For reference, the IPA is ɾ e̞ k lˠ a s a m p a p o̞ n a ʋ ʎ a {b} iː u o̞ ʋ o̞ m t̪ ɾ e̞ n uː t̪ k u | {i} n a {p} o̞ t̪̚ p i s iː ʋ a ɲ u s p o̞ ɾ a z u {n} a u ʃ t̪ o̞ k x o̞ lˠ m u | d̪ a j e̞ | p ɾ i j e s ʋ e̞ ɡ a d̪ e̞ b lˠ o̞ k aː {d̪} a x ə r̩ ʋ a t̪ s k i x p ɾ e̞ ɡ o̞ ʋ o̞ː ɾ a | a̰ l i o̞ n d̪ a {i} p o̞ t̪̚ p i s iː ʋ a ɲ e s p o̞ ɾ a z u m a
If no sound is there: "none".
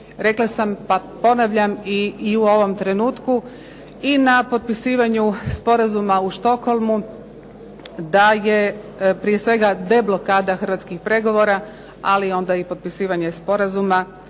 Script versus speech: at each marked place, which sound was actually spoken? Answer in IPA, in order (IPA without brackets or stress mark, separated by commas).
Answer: m, i, p, m, d̪, i